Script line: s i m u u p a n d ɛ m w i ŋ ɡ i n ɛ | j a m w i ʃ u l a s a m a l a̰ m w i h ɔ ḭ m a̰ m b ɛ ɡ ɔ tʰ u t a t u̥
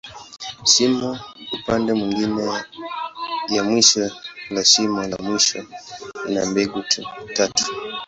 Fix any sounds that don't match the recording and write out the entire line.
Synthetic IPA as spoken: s i m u u p a n d ɛ m w i ŋ ɡ i n ɛ | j a m w i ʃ ɔ l a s i m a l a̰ m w i ʃ ɔ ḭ n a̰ m b ɛ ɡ u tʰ u t a t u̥